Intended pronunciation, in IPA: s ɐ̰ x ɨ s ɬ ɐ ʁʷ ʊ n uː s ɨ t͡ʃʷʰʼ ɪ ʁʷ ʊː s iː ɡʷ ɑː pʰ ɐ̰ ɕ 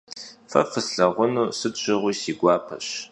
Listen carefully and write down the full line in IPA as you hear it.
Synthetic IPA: f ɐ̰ f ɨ s ɬ ɐ ʁʷ ʊ n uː s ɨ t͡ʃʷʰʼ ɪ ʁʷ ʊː s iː ɡʷ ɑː pʰ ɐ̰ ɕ